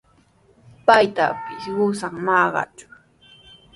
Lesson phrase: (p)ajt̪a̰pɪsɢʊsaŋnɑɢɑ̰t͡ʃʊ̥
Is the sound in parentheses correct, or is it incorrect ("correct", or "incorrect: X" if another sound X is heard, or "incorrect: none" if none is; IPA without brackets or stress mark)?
correct